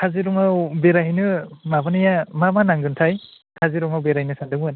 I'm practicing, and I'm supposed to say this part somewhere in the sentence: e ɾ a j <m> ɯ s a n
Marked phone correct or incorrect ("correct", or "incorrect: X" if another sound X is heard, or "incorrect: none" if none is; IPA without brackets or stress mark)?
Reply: incorrect: n